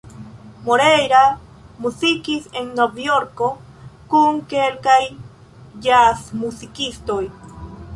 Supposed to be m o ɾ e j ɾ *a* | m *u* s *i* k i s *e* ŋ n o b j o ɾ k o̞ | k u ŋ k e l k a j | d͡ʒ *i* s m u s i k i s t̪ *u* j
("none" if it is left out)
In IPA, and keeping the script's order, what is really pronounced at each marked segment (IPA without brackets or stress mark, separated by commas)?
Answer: a, u, i, e, a, o